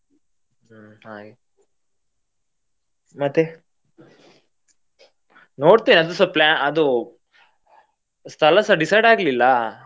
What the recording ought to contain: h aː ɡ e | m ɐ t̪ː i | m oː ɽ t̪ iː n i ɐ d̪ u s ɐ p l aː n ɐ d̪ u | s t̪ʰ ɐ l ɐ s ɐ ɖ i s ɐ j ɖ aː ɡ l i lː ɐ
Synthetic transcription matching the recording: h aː ɡ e | m ɐ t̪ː e | n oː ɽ t̪ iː n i ɐ d̪ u s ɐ p l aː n ɐ d̪ u | s t̪ʰ ɐ l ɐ s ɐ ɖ i s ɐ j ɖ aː ɡ l i lː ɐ